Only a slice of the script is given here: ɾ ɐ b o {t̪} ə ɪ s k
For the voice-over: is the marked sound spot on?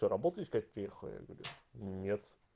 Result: yes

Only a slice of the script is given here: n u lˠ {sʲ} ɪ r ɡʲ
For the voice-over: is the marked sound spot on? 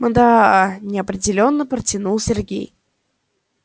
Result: yes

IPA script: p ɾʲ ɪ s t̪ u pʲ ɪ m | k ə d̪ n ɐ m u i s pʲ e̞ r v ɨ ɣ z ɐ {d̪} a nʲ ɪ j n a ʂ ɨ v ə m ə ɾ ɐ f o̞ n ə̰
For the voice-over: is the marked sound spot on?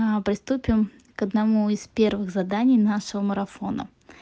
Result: yes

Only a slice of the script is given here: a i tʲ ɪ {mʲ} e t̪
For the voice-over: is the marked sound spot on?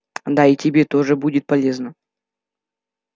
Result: no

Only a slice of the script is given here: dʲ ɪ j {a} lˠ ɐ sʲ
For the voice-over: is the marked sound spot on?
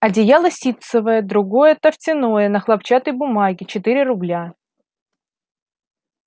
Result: yes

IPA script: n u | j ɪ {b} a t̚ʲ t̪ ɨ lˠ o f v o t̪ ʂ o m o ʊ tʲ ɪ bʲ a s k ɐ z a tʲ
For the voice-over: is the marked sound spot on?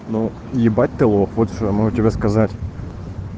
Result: yes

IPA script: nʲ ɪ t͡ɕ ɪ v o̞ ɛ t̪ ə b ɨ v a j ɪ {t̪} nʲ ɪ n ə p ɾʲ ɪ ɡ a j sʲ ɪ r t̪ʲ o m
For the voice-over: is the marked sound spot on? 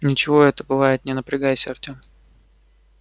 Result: yes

